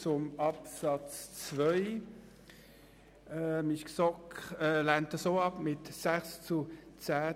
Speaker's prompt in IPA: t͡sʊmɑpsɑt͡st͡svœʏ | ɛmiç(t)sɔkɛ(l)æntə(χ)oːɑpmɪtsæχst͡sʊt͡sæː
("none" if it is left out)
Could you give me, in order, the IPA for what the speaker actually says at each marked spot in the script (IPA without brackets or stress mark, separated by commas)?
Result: k, l, s